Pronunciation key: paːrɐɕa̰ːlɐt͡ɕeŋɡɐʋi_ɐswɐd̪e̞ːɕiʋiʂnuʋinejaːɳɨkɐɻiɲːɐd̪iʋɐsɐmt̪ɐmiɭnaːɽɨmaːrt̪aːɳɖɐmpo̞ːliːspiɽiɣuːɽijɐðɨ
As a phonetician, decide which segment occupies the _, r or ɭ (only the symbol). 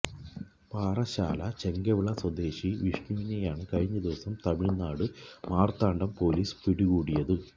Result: ɭ